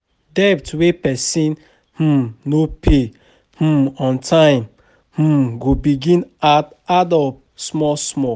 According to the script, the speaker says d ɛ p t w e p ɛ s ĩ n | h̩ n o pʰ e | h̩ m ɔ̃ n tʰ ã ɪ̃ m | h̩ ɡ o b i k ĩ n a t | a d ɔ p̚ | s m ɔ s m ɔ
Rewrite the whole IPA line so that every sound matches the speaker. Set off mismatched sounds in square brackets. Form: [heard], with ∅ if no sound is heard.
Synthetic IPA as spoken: d ɛ p t w e p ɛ s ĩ n | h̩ n o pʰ e | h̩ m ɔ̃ n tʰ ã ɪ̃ m | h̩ ɡ o b i [ɡ] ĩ n a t | a d ɔ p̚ | s m ɔ s m ɔ